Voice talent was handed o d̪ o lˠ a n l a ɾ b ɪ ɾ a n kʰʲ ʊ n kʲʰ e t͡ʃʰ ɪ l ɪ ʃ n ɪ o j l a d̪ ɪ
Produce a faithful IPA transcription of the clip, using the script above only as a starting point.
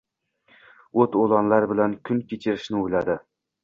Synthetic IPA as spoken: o t̪ o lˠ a n l a ɾ b ɪ l a n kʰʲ ʊ n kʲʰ e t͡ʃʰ ɪ ɾ ɪ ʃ n ɪ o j l a d̪ ɪ